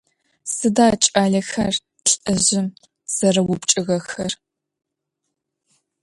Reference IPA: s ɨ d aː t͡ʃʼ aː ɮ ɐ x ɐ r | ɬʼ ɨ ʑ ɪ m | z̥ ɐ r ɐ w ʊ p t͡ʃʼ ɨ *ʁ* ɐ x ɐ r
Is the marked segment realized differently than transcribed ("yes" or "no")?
yes